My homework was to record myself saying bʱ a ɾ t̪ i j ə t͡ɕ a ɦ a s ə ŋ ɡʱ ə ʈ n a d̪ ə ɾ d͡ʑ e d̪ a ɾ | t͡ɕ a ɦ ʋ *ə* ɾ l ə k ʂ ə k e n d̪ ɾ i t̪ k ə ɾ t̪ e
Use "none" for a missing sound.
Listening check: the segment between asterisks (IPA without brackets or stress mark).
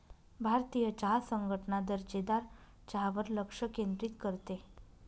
ə